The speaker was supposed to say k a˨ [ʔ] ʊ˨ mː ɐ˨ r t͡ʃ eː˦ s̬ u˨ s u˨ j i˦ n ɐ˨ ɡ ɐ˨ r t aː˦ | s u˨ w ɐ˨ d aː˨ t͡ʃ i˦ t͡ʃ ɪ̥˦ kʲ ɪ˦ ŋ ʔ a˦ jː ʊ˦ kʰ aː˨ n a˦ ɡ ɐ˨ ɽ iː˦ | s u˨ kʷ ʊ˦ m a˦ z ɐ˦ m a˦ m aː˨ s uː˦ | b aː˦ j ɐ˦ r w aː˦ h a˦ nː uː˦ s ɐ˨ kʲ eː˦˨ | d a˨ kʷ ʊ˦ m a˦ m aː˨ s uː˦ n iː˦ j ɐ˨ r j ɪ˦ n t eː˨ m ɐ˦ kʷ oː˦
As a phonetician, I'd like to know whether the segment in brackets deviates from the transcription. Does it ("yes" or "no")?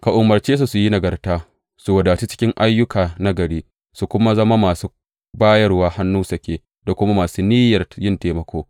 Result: no